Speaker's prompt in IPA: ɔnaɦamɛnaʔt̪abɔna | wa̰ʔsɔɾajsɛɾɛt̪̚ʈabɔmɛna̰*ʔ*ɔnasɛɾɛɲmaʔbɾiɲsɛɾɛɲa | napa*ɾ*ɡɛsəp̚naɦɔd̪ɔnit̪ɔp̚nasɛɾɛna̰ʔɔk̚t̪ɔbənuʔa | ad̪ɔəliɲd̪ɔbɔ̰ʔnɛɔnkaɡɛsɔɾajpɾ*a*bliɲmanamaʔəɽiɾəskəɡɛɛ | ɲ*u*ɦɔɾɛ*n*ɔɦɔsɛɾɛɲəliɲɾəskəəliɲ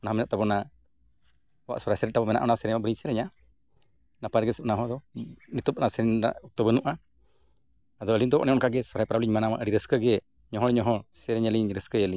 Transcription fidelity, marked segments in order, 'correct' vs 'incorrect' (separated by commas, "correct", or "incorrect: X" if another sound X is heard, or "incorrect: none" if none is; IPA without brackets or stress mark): correct, correct, correct, incorrect: ɔ, incorrect: ɲ